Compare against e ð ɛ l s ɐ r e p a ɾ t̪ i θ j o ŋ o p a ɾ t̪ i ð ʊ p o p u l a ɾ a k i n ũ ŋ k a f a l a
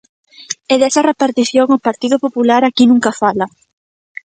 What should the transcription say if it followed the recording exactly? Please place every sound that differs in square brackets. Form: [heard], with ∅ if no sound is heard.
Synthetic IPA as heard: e ð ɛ [∅] s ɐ r e p a ɾ t̪ i θ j o ŋ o p a ɾ t̪ i ð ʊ p o p u l a ɾ a k i n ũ ŋ k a f a l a